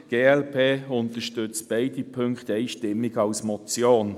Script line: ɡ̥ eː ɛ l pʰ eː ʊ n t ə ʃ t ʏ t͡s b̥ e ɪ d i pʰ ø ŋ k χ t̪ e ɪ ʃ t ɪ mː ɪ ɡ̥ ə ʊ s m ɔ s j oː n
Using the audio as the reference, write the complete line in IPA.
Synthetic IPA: ɡ̥ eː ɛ l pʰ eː ʊ n t ə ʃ t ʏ t͡s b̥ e ɪ d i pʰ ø ŋ k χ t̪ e ɪ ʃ t ɪ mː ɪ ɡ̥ ɑ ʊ s m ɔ t͡s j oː n